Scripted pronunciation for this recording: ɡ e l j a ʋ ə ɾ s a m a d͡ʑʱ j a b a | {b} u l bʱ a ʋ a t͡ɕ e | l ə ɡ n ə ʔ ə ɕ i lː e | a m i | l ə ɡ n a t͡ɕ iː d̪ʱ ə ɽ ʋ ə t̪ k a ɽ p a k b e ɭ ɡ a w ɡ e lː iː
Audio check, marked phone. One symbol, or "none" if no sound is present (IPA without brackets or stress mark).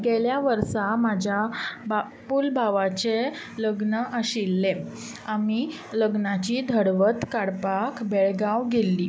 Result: p